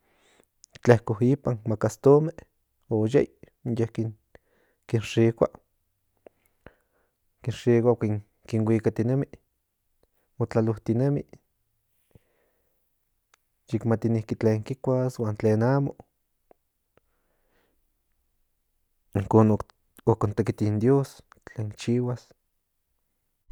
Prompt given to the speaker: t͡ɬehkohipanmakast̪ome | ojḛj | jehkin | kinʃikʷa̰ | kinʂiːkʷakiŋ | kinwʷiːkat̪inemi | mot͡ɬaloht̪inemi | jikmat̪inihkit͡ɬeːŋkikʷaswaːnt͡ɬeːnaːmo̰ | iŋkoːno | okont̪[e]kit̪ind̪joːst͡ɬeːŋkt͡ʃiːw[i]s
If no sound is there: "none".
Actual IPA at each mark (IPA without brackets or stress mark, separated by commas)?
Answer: e, a